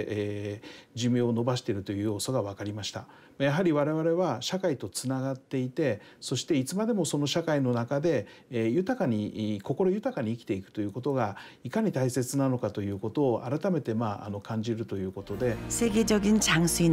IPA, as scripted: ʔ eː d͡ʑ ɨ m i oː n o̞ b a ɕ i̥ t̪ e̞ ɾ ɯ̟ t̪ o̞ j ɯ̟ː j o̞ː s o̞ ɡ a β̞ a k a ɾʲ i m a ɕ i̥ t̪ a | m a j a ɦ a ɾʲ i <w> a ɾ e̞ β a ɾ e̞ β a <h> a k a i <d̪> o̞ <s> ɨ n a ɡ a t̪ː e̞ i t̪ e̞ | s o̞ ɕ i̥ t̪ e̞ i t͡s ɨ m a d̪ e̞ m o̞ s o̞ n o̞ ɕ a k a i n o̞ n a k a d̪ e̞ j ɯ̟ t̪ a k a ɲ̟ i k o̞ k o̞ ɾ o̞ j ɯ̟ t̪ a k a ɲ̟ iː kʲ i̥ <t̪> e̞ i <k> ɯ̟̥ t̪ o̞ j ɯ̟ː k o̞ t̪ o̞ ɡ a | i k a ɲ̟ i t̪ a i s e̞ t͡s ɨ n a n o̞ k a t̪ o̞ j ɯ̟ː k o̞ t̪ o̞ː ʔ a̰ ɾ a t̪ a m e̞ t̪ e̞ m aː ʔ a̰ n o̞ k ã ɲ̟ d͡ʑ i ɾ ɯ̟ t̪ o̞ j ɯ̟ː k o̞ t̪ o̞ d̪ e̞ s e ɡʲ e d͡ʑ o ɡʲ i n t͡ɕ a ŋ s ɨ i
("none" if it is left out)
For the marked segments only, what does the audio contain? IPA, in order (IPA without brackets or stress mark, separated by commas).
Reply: β, ɕ, t̪, t͡s, t̪, k